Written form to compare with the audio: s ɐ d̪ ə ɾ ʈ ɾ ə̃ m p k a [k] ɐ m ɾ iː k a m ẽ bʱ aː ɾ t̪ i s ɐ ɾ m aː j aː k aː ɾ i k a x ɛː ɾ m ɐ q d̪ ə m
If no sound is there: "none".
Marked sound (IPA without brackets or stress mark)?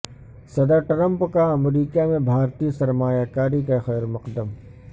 none